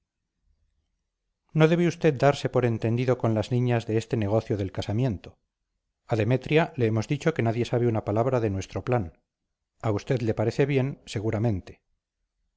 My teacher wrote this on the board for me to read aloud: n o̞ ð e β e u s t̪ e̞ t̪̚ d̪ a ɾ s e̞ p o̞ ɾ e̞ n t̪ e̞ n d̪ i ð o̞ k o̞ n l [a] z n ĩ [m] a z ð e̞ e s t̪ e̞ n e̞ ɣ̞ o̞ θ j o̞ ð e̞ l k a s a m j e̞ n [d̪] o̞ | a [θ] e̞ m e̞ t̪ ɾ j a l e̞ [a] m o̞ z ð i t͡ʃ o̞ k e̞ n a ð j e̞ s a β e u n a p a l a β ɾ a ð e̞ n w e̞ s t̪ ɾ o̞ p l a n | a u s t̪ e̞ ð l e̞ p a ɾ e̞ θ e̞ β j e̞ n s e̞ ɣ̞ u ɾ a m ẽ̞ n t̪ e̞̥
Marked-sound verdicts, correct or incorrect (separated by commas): correct, incorrect, incorrect, incorrect, incorrect